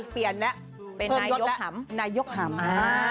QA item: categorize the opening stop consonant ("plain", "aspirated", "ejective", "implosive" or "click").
plain